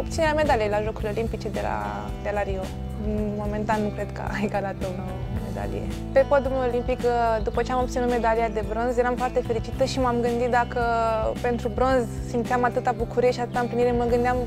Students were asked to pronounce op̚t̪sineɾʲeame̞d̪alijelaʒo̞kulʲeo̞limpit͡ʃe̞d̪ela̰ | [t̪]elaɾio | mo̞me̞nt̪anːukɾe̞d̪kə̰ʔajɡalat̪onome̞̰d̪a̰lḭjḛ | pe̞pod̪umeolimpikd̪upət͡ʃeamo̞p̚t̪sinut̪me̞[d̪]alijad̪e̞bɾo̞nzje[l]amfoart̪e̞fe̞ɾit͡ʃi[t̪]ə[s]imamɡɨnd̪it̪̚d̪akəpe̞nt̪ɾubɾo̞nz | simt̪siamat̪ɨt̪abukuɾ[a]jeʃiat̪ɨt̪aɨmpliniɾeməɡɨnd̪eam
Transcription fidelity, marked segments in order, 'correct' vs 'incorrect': incorrect: d̪, correct, incorrect: ɾ, correct, incorrect: ʃ, incorrect: i

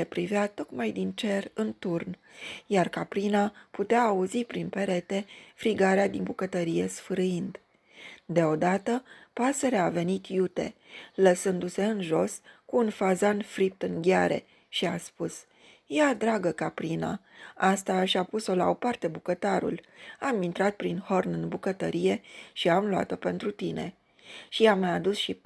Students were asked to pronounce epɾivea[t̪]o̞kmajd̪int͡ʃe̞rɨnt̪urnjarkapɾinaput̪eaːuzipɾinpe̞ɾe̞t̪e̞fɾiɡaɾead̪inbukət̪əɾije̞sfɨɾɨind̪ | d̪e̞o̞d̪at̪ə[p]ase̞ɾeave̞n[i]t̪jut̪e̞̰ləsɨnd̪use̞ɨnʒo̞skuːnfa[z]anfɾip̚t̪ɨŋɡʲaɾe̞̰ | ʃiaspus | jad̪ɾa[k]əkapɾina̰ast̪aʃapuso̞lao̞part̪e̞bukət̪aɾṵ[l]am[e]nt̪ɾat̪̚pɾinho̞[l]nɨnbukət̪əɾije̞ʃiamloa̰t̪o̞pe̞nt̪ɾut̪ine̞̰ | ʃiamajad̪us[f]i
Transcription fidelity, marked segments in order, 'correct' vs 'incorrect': correct, correct, correct, correct, incorrect: ɡ, correct, incorrect: i, incorrect: r, incorrect: ʃ

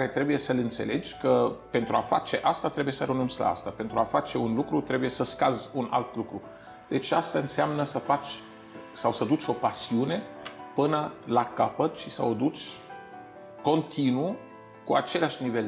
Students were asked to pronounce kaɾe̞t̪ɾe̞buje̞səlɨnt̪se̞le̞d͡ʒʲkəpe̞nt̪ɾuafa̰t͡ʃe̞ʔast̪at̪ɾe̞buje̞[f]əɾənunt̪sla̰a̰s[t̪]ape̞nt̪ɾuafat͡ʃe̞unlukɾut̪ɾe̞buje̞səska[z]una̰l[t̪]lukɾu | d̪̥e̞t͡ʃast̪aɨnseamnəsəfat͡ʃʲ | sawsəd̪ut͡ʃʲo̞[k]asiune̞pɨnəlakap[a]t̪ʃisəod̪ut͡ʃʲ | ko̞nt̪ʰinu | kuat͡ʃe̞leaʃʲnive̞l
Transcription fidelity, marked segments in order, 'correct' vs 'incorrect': incorrect: s, correct, correct, correct, incorrect: p, incorrect: ə

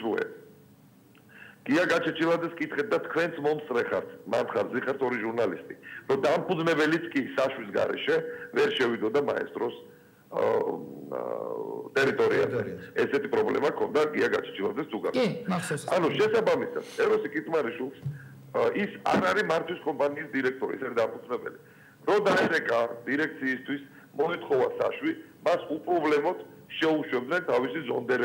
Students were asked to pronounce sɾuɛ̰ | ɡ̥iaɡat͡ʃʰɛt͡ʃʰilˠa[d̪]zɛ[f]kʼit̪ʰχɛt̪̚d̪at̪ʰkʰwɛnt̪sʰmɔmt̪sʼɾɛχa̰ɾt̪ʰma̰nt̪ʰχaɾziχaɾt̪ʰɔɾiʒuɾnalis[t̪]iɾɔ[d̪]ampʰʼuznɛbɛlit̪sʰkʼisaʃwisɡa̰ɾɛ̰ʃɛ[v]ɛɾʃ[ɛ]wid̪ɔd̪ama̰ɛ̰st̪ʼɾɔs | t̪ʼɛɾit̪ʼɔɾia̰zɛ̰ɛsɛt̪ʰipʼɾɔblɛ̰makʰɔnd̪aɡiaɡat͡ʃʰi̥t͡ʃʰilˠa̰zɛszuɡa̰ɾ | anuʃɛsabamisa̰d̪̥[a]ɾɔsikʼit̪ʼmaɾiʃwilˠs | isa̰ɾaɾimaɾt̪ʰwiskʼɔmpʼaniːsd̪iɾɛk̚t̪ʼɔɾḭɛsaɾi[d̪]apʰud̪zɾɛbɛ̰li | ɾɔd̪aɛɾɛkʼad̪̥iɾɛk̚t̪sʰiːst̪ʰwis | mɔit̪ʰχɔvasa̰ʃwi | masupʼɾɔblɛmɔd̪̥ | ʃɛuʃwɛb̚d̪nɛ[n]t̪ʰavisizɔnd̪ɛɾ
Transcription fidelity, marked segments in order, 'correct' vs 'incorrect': correct, incorrect: s, incorrect: t̪ʼ, correct, correct, correct, incorrect: ɛ, correct, correct

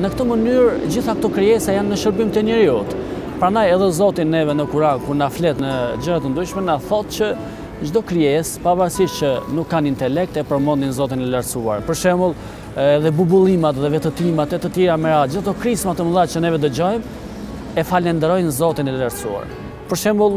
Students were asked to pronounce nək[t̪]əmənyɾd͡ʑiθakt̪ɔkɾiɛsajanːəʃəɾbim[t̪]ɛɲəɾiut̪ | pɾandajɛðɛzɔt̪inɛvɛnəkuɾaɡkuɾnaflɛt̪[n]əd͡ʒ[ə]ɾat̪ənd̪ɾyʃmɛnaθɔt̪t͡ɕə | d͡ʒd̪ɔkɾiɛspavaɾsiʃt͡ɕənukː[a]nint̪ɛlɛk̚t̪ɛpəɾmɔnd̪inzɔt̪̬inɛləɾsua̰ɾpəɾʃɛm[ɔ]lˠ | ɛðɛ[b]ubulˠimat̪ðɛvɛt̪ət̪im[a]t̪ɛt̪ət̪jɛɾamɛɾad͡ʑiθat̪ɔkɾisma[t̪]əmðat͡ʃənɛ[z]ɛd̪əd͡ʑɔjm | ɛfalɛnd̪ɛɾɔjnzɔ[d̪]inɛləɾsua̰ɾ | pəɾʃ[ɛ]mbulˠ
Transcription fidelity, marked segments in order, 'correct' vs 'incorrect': correct, correct, correct, correct, correct, incorrect: u, correct, correct, correct, incorrect: v, incorrect: t̪, correct

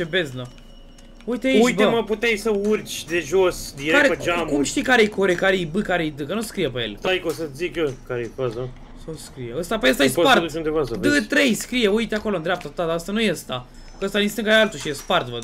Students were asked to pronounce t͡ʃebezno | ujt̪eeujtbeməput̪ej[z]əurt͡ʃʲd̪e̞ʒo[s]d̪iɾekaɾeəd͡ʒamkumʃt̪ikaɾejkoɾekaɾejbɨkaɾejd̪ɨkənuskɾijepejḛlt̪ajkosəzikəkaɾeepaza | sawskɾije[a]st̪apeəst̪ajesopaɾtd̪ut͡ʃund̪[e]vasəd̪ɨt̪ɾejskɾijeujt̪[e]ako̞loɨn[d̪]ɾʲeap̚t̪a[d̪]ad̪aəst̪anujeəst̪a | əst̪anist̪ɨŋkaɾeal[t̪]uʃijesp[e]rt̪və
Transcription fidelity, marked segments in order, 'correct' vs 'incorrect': incorrect: s, correct, incorrect: ə, correct, correct, correct, incorrect: t̪, correct, incorrect: a

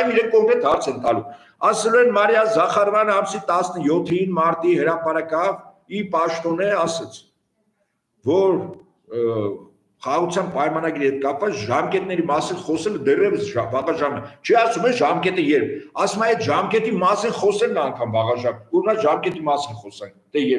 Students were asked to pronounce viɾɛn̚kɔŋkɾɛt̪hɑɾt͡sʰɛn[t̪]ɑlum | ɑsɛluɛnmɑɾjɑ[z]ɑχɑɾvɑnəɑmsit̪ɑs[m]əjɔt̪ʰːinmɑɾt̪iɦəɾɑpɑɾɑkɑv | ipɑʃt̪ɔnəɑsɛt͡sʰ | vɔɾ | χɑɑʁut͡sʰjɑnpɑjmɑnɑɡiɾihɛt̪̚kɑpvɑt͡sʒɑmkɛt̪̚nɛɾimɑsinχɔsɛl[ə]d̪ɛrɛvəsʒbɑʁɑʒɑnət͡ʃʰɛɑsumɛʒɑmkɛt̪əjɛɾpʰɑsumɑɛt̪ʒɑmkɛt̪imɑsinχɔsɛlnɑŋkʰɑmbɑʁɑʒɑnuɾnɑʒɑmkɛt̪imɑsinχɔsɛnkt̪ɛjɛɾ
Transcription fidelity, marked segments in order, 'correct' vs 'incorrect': correct, correct, incorrect: n, correct

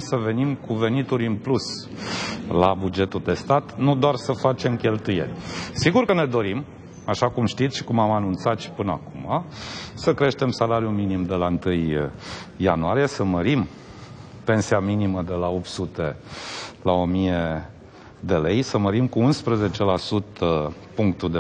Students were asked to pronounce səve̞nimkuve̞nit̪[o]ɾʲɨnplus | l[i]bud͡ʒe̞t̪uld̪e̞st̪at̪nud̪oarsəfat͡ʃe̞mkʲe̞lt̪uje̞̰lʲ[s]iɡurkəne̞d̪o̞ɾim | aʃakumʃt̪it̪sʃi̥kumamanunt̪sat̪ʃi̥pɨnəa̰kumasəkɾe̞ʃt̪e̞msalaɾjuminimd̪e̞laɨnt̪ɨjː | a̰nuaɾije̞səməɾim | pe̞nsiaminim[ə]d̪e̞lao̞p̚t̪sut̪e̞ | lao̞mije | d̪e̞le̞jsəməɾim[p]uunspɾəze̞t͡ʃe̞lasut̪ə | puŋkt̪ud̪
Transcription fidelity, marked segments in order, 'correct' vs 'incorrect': incorrect: u, incorrect: a, correct, correct, incorrect: k

